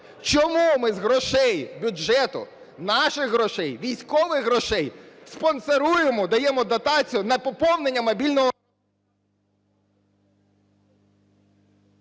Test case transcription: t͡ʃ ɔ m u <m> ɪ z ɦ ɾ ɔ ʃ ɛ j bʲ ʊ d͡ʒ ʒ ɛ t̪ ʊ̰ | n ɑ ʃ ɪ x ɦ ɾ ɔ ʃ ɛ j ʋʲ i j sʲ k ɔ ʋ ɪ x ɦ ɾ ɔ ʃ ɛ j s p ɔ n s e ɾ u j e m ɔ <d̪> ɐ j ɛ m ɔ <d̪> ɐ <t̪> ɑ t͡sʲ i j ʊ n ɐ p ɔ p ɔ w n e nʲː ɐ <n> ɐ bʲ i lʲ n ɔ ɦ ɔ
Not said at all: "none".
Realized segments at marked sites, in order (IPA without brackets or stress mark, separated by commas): m, d̪, d̪, t̪, m